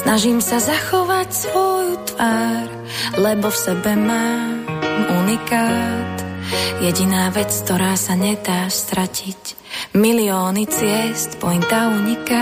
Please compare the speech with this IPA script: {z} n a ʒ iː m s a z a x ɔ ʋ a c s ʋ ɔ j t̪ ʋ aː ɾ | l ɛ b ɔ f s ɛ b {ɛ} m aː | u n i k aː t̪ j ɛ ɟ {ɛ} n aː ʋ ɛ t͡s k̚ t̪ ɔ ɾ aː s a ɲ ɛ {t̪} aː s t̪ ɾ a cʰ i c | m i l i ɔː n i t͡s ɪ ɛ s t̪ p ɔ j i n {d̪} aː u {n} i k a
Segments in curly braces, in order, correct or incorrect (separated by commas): incorrect, correct, incorrect, incorrect, incorrect, incorrect